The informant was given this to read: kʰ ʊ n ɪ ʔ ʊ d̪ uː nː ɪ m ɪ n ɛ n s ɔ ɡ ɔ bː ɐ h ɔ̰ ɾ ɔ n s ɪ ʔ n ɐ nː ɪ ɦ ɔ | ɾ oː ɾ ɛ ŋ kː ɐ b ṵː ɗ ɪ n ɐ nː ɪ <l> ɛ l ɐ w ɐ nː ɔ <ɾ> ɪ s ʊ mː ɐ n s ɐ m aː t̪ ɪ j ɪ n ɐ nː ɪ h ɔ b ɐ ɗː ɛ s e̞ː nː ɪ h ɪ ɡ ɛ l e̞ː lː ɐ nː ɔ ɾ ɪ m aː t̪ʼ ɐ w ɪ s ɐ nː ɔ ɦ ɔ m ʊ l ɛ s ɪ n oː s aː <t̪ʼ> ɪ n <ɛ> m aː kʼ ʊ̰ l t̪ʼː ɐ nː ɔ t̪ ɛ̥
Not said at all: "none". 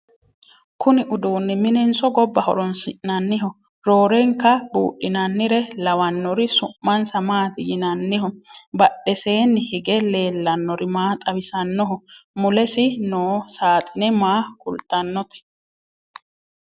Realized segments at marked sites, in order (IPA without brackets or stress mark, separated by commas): ɾ, ɾ, t̪ʼ, ɛ